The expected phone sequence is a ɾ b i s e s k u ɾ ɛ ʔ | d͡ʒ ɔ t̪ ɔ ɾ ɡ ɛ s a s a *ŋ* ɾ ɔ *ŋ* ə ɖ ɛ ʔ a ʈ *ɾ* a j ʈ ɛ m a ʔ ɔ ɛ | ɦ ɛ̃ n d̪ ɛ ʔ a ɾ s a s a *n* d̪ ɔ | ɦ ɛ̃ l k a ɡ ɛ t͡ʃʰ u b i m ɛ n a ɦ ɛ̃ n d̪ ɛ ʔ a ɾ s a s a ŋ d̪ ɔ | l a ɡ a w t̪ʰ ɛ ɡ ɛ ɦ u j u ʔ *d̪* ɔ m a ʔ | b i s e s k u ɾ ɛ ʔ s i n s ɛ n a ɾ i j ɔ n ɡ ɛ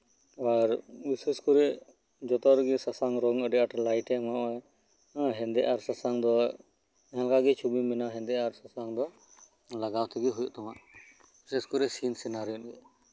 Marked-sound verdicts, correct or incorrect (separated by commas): correct, correct, incorrect, incorrect, incorrect